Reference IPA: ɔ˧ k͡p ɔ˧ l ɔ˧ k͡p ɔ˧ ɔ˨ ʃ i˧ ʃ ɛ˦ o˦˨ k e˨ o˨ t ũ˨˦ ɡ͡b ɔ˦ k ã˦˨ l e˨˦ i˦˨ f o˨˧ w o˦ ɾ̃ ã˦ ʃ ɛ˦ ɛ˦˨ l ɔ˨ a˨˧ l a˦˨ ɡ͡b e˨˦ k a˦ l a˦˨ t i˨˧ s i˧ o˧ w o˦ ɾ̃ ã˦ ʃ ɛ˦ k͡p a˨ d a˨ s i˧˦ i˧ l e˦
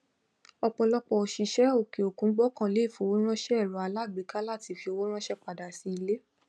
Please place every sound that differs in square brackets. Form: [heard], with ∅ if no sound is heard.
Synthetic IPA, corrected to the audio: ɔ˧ k͡p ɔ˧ l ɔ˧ k͡p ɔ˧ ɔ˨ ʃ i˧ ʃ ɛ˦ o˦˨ k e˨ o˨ [k] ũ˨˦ ɡ͡b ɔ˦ k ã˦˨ l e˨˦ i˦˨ f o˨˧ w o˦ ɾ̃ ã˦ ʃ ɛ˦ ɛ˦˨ [ɾ] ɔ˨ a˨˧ l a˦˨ ɡ͡b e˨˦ k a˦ l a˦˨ t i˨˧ [f] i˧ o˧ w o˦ ɾ̃ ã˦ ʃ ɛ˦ k͡p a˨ d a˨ s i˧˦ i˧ l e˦